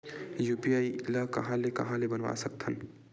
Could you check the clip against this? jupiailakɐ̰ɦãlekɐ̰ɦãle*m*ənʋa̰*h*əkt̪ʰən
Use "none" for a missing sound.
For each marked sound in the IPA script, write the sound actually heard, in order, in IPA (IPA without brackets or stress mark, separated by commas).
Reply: b, s